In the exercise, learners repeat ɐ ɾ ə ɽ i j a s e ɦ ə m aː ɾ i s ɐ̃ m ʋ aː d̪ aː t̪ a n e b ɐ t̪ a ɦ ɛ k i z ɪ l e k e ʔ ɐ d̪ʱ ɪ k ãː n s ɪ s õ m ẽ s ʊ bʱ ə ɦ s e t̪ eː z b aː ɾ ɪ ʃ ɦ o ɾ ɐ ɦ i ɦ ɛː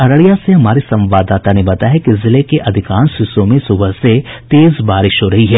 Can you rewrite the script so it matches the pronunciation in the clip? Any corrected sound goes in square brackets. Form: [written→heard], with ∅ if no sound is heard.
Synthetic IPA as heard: ɐ ɾ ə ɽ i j a s e ɦ [ə→ɐ] m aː ɾ i s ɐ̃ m ʋ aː d̪ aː t̪ a n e b ɐ t̪ a ɦ ɛ k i z ɪ l e k e ʔ ɐ d̪ʱ ɪ k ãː n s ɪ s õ m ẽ s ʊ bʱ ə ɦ s e t̪ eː z b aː ɾ ɪ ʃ ɦ o ɾ ɐ ɦ i ɦ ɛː

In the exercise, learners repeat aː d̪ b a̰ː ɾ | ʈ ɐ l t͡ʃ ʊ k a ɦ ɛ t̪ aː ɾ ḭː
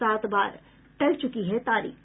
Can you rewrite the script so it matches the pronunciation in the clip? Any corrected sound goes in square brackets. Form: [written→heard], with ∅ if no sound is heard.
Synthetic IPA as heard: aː [d̪→t̪] b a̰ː ɾ | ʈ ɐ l t͡ʃ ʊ k [a→i] ɦ ɛ t̪ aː ɾ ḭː

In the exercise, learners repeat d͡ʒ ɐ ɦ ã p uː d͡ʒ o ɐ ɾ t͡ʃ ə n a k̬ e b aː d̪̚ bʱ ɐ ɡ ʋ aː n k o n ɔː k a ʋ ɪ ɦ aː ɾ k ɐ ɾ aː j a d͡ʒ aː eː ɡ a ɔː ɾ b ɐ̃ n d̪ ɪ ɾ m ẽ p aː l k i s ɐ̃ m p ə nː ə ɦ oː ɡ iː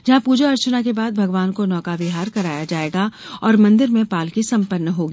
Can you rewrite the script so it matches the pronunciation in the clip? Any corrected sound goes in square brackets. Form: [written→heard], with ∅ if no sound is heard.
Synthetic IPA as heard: d͡ʒ ɐ ɦ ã p uː d͡ʒ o ɐ ɾ t͡ʃ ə n a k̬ e b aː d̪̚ bʱ ɐ ɡ ʋ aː n k o n ɔː k a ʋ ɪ ɦ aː ɾ k ɐ ɾ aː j a d͡ʒ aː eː ɡ a ɔː ɾ [b→m] ɐ̃ n d̪ ɪ ɾ m ẽ p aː l k i s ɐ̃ m p ə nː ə ɦ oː ɡ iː

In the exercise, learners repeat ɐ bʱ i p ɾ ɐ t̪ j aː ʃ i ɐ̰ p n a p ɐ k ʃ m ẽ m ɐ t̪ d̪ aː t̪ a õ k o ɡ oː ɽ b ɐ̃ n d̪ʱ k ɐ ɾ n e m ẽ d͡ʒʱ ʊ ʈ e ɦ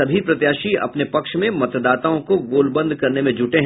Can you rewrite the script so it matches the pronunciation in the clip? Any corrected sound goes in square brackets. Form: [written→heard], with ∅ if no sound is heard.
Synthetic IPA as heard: ɐ bʱ i p ɾ ɐ t̪ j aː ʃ i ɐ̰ p n [a→e] p ɐ k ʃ m ẽ m ɐ t̪ d̪ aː t̪ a õ k o ɡ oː [ɽ→l] b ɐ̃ n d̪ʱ k ɐ ɾ n e m ẽ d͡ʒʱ ʊ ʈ e ɦ

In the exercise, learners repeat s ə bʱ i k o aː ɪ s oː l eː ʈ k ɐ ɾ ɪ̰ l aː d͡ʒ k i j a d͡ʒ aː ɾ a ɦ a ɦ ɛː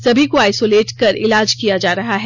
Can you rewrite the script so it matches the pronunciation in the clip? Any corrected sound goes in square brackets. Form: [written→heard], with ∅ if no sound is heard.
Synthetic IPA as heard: s [ə→ɐ] bʱ i k o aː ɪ s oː l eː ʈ k ɐ ɾ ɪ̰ l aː d͡ʒ k i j a d͡ʒ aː ɾ [a→ɐ] ɦ a ɦ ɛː

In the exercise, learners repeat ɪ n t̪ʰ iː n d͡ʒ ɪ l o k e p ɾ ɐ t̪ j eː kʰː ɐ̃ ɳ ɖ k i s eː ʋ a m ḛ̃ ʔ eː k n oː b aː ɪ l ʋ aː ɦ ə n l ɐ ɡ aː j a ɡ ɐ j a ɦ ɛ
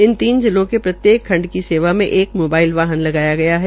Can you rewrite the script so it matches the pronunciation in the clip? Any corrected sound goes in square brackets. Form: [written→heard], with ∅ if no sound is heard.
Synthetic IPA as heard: ɪ n [t̪ʰ→t̪] iː n d͡ʒ ɪ l [o→õ] k e p ɾ ɐ t̪ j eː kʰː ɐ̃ ɳ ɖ k i s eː ʋ a m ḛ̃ ʔ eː k [n→m] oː b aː ɪ l ʋ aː ɦ ə n l ɐ ɡ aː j a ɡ ɐ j a ɦ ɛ

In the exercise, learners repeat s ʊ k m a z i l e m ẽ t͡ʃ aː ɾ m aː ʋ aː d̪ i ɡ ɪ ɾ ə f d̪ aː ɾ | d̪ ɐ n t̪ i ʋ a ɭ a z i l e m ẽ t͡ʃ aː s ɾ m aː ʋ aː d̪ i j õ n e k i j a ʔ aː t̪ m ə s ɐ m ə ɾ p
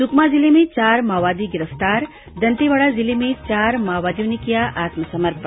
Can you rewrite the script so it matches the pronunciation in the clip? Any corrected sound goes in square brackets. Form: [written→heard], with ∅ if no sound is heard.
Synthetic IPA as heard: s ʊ k m a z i l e m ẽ t͡ʃ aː ɾ m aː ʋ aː d̪ i ɡ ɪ ɾ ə f [d̪→t̪] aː ɾ | d̪ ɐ n t̪ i ʋ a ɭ a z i l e m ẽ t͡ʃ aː [s→∅] ɾ m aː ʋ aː d̪ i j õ n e k i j a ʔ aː t̪ m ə s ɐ m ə ɾ p

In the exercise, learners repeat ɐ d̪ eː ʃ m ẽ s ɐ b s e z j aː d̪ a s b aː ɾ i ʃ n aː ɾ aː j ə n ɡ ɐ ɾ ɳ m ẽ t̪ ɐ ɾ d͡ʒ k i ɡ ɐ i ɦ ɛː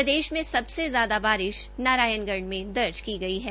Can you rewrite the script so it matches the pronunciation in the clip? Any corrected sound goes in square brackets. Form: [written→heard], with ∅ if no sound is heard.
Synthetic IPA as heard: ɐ d̪ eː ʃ m ẽ s ɐ b s e z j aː d̪ a [s→∅] b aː ɾ [i→ɪ] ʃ n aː ɾ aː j ə n ɡ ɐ ɾ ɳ m ẽ [t̪→d̪] ɐ ɾ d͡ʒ k i ɡ ɐ i ɦ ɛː

